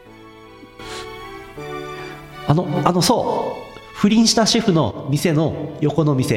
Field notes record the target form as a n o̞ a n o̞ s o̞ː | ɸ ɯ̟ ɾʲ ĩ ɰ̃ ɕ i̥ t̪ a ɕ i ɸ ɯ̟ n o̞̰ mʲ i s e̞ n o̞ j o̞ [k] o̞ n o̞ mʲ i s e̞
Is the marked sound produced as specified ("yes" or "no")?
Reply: yes